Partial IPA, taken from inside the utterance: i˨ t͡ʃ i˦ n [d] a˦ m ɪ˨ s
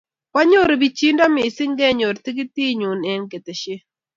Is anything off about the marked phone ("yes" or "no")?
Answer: no